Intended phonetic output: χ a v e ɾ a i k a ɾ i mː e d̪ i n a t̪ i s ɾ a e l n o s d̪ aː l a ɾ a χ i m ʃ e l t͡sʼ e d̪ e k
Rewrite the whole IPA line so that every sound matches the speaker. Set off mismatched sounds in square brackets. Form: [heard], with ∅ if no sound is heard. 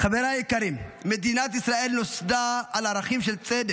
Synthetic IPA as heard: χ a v e ɾ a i k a ɾ i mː e d̪ i n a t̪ i s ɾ a e l n o s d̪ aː l a ɾ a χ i m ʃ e l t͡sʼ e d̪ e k